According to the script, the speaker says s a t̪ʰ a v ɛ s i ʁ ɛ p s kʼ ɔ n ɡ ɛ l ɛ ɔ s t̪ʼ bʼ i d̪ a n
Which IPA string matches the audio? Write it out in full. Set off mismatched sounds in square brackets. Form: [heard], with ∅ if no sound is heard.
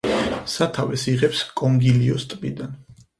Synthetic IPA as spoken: s a t̪ʰ a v ɛ s i ʁ ɛ p s kʼ ɔ [ŋ] ɡ [i] l [i] ɔ s t̪ʼ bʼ i d̪ a n